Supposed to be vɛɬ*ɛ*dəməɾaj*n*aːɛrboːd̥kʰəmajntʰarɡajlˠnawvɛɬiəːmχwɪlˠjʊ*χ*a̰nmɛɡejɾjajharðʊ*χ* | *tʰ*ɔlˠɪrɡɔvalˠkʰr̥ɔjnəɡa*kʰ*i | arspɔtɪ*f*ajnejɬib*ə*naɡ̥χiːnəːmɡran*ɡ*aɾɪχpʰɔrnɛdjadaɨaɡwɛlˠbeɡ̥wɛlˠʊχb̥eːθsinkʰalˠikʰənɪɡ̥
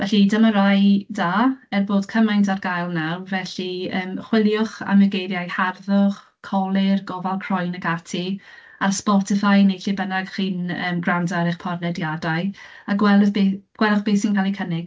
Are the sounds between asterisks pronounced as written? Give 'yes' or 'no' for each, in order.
no, no, yes, yes, no, no, yes, yes, no

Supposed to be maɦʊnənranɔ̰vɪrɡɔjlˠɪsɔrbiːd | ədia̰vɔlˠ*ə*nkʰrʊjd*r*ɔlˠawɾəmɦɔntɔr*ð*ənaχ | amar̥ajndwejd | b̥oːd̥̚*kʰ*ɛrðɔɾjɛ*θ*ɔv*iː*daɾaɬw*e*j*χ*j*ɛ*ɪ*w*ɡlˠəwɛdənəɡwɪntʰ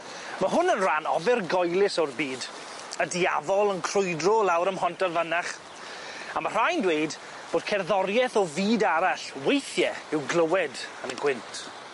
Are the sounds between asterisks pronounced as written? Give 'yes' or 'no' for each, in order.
yes, yes, no, yes, yes, yes, yes, no, yes, yes

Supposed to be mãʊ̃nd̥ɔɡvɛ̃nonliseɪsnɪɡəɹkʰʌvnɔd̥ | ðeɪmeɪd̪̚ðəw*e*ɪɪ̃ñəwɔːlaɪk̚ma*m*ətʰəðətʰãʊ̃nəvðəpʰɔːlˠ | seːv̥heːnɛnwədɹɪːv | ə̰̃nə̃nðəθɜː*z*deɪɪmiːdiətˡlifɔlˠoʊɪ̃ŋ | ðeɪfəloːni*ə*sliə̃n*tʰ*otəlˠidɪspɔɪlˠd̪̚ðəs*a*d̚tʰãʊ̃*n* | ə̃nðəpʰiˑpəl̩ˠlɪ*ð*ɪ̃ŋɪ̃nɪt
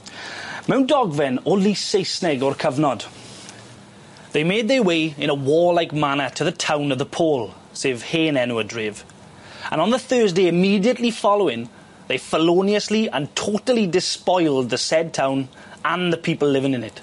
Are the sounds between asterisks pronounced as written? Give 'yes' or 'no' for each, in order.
yes, no, yes, yes, yes, no, yes, no

